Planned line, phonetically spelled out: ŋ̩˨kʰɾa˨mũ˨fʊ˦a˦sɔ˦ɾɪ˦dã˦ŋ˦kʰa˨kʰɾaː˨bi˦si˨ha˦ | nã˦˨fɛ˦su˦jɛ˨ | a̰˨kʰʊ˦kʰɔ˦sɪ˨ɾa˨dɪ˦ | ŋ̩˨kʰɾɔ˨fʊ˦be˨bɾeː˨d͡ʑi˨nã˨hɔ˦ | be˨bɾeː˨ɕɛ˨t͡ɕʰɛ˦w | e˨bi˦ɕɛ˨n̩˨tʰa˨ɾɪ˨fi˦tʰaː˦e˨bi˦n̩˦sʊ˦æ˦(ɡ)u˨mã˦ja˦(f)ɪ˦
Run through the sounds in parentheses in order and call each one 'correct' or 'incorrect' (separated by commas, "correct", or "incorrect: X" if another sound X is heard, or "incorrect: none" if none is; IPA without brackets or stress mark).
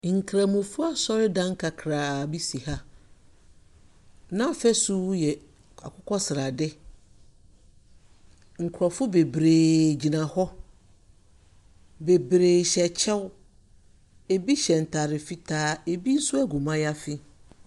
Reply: correct, correct